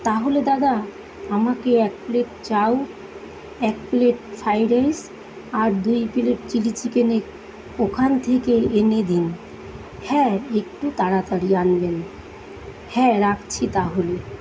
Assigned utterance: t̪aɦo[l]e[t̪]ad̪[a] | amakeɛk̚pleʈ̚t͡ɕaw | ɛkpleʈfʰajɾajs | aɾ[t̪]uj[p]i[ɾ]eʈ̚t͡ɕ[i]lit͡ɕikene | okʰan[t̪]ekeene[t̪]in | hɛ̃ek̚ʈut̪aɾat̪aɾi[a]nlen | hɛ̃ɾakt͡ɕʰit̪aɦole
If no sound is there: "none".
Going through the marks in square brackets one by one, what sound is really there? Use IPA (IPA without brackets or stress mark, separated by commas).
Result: l, d̪, a, d̪, p, l, i, t̪ʰ, d̪, a